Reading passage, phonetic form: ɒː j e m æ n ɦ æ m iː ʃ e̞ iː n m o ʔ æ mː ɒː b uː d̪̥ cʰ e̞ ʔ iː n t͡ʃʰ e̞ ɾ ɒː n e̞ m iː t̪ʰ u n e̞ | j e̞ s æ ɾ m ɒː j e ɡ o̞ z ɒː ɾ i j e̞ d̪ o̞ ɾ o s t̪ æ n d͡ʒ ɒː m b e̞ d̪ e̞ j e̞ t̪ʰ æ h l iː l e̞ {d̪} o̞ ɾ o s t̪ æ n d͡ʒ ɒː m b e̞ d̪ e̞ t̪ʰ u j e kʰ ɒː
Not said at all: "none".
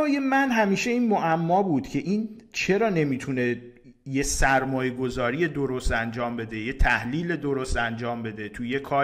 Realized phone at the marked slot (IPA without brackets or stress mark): d̪